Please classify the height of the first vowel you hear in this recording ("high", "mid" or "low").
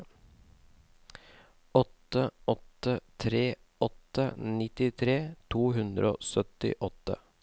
mid